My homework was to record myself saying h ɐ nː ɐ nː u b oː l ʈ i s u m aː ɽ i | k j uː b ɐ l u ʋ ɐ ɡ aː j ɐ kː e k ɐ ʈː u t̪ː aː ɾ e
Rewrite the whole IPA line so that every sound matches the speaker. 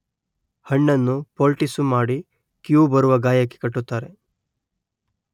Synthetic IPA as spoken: h ɐ ɳː ɐ nː u p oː l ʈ i s u m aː ɽ i | k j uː b ɐ ɾ u ʋ ɐ ɡ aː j ɐ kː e k ɐ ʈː u t̪ː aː ɾ e